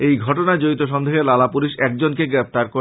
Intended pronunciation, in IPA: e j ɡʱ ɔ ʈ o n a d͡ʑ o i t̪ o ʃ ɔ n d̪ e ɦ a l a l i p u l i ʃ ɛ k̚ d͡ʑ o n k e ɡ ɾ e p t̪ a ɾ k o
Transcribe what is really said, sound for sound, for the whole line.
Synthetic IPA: e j ɡʱ ɔ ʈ o n a d͡ʑ o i t̪ o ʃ ɔ n d̪ e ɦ e l a l a p u l i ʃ ɛ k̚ d͡ʑ o n k e ɡ ɾ e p t̪ a ɾ k o

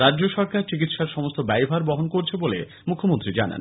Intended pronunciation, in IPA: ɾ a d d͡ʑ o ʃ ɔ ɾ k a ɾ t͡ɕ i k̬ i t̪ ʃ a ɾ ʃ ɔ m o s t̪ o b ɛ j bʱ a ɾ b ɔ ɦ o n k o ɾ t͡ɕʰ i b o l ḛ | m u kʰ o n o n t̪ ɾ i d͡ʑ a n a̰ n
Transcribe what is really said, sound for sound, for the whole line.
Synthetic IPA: ɾ a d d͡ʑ o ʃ ɔ ɾ k a ɾ t͡ɕ i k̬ i t̪ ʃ a ɾ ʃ ɔ m o s t̪ o b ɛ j bʱ a ɾ b ɔ ɦ o n k o ɾ t͡ɕʰ e b o l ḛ | m u kʰ o m o n t̪ ɾ i d͡ʑ a n a̰ n

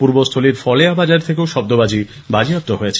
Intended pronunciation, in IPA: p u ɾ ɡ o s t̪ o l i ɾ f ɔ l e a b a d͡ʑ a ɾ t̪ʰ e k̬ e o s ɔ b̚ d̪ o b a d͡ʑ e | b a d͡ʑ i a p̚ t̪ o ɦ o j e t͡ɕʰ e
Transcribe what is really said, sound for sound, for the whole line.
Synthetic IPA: p u ɾ b o s t̪ʰ o l i ɾ f ɔ l e a b a d͡ʑ a ɾ t̪ʰ e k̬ e o ʃ ɔ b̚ d̪ o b a d͡ʑ i | b a d͡ʑ i a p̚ t̪ o ɦ o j e t͡ɕʰ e

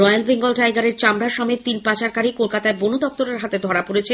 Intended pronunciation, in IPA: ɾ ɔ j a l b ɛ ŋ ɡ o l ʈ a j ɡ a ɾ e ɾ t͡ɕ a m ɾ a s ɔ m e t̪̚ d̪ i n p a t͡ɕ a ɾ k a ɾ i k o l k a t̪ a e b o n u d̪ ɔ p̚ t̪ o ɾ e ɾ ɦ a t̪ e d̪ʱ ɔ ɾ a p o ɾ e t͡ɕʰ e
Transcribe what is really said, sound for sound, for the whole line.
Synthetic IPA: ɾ ɔ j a l b e ŋ ɡ o l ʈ a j ɡ a ɾ e ɾ t͡ɕ a m ɾ a ʃ ɔ m e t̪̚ t̪ i n p a t͡ɕ a ɾ k a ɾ i k o l k a t̪ a e b o n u d̪ ɔ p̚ t̪ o ɾ e ɾ ɦ a t̪ e d̪ʱ ɔ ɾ a p o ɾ e t͡ɕʰ e

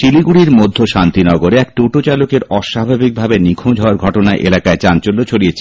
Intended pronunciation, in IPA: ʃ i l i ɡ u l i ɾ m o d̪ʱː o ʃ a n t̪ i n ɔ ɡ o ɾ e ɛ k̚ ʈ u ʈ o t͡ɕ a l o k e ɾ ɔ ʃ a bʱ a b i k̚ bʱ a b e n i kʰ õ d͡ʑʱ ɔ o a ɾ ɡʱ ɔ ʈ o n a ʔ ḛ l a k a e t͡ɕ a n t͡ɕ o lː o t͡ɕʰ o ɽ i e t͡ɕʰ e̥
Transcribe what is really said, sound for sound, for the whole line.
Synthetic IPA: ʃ i l i ɡ u ɽ i ɾ m o d̪ʱː o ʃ a n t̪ i n ɔ ɡ o ɾ e ɛ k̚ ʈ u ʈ o t͡ɕ a l o k e ɾ ɔ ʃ a bʱ a b i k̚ bʱ a b e n i kʰ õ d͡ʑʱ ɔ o a ɾ ɡʱ ɔ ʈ o n a ʔ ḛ l a k a e t͡ɕ a n t͡ɕ o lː o t͡ɕʰ o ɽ i e t͡ɕʰ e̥

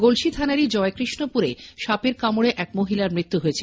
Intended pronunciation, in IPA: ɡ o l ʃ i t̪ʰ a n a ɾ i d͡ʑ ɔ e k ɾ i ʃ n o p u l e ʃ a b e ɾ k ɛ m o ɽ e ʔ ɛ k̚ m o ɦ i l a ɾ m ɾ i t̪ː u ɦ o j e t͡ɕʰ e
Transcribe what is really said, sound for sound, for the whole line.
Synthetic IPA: ɡ o l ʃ i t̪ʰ a n a ɾ i d͡ʑ ɔ e k ɾ i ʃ n o p u ɾ e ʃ a p e ɾ k a m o ɽ e ʔ ɛ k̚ m o ɦ i l a ɾ m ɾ i t̪ː u ɦ o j e t͡ɕʰ e

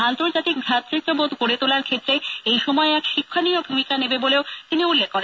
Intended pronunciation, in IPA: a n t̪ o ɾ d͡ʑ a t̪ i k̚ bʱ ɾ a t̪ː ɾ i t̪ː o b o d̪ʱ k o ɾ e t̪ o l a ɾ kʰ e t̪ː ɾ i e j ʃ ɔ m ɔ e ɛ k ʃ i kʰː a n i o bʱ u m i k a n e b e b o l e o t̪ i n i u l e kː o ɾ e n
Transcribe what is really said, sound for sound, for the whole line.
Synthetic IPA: a n t̪ o ɾ d͡ʑ a t̪ i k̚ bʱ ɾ a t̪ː ɾ i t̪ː o b o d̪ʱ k o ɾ e t̪ o l a ɾ kʰ e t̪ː ɾ e e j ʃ ɔ m ɔ e ɛ k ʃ i kʰː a n i o bʱ u m i k a n e b e b o l e o t̪ i n i u lː e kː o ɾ e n

